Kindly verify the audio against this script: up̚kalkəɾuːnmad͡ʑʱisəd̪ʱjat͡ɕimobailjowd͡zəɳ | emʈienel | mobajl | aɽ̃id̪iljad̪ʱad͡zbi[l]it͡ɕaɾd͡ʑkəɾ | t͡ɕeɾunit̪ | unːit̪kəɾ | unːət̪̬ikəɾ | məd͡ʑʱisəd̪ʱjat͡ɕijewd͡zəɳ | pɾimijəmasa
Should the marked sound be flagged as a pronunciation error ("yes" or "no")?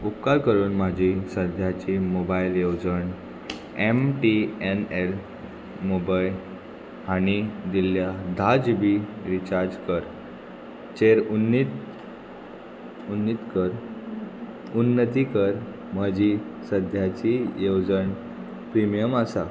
yes